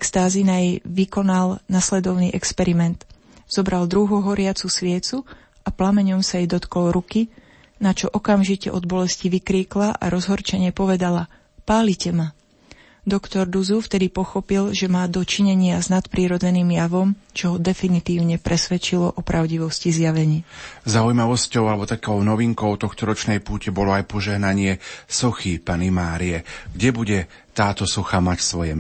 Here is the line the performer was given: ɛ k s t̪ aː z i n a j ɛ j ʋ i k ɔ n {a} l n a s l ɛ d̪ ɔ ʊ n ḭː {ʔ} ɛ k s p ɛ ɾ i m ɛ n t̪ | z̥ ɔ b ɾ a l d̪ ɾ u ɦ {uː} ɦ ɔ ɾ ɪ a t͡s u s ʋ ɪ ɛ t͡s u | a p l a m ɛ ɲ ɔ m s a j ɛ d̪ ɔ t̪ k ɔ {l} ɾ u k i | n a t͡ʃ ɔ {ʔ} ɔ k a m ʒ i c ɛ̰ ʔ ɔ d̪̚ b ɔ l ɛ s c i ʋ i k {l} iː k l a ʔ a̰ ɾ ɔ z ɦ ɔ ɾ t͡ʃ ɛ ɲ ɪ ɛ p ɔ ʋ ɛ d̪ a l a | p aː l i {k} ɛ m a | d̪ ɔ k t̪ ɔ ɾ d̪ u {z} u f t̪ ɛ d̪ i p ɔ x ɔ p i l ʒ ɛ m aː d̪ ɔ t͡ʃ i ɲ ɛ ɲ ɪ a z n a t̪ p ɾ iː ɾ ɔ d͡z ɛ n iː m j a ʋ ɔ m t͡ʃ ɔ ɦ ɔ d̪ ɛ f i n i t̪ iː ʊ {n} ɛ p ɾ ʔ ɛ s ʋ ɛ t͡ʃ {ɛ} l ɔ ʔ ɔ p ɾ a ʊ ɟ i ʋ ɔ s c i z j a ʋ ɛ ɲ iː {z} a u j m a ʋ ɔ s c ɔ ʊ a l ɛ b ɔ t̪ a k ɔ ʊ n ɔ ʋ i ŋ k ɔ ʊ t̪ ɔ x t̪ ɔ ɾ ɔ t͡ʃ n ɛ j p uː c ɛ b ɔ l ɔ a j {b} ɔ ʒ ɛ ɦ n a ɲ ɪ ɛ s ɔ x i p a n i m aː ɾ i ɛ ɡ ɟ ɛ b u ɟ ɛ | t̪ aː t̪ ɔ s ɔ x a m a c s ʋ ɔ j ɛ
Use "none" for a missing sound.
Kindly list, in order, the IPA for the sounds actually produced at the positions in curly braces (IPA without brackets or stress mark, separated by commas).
a, ʔ, u, l, ʔ, ɾ, c, z, ɲ, i, z, p